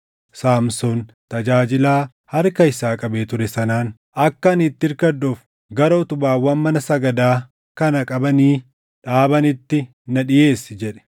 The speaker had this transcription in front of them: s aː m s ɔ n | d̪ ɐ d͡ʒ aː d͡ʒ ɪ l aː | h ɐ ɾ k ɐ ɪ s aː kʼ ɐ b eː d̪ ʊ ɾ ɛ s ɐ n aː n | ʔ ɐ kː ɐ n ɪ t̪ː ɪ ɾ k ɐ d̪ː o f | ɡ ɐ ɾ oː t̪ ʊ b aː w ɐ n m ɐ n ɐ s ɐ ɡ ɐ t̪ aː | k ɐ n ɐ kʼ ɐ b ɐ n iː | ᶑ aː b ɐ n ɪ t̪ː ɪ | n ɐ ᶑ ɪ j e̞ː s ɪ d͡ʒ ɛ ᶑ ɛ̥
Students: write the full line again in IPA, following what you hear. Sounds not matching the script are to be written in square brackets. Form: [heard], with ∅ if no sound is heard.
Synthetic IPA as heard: s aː m s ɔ n | [t̪] ɐ d͡ʒ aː d͡ʒ ɪ l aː | h ɐ ɾ k ɐ ɪ s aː kʼ ɐ b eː [t̪] ʊ ɾ ɛ s ɐ n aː n | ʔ ɐ kː ɐ n ɪ t̪ː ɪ ɾ k ɐ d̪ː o f | ɡ ɐ ɾ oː t̪ ʊ b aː w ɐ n m ɐ n ɐ s ɐ ɡ ɐ [d̪] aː | k ɐ n ɐ kʼ ɐ b ɐ n iː | ᶑ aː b ɐ n ɪ t̪ː ɪ | n ɐ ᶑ ɪ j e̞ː s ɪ d͡ʒ ɛ ᶑ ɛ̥